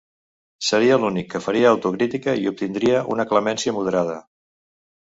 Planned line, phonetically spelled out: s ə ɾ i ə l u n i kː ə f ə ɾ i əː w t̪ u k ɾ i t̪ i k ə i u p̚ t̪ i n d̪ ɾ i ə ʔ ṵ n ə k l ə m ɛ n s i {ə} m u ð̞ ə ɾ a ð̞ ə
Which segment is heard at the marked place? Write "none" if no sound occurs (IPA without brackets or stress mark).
ə